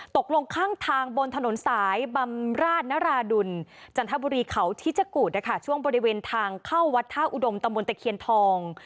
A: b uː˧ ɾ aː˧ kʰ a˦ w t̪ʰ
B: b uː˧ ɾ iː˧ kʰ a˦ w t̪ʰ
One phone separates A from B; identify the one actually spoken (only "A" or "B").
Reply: B